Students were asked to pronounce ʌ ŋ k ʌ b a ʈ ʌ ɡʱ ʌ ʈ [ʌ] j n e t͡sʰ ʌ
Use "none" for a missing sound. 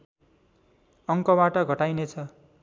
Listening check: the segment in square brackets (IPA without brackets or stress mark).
a